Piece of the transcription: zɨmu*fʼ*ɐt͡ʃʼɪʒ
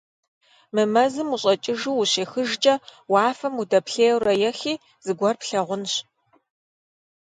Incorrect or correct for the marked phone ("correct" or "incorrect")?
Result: incorrect